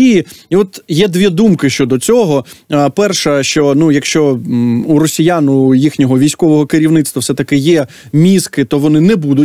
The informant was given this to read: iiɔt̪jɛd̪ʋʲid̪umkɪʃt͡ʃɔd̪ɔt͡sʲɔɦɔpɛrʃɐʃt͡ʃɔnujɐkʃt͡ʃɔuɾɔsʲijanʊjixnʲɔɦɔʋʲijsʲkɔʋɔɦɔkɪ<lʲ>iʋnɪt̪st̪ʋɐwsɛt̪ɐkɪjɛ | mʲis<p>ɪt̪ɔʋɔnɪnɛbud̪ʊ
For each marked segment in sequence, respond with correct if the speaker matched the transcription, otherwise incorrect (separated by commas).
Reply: incorrect, incorrect